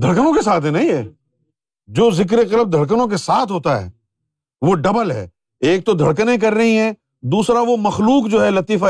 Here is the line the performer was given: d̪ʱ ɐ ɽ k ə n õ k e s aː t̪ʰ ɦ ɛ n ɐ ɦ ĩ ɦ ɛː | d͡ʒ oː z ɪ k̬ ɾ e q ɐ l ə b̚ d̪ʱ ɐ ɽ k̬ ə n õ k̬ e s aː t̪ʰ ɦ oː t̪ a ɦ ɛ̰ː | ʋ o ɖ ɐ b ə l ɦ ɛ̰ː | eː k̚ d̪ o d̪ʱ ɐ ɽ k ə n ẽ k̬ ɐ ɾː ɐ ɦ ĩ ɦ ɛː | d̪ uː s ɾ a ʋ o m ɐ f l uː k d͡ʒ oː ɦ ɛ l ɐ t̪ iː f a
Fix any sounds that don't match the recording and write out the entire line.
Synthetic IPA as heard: d̪ʱ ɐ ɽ k ə n õ k e s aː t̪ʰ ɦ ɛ n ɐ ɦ ĩ ɦ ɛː | d͡ʒ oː z ɪ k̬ ɾ e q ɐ l ə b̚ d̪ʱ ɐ ɽ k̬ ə n õ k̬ e s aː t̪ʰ ɦ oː t̪ a ɦ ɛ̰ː | ʋ o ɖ ɐ b ə l ɦ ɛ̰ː | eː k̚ t̪ o d̪ʱ ɐ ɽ k ə n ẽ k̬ ɐ ɾː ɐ ɦ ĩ ɦ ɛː | d̪ uː s ɾ a ʋ o m ɐ x l uː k d͡ʒ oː ɦ ɛ l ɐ t̪ iː f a